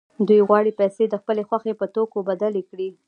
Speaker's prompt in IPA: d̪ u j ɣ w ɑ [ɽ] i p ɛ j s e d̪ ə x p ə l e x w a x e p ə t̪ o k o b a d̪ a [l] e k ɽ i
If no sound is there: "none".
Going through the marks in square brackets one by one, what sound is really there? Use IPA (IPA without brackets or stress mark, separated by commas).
ɽ, l